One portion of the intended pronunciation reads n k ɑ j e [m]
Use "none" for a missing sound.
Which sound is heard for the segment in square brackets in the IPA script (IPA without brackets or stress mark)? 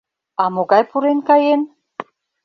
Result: n